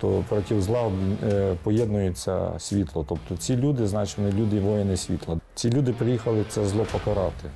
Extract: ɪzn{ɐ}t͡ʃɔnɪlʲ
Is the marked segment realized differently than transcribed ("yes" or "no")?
yes